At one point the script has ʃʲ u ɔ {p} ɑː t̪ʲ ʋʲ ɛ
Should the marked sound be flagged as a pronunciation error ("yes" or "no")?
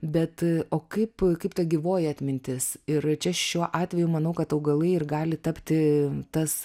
yes